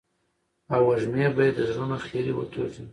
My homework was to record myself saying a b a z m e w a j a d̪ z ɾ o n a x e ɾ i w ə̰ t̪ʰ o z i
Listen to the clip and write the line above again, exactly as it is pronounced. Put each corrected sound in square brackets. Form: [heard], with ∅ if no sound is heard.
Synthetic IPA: a [w] a [ʒ] m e [b] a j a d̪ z ɾ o n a x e ɾ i w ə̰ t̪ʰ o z i